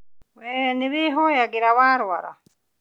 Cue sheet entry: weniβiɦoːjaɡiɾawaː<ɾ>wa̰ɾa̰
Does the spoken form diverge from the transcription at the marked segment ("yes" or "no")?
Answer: no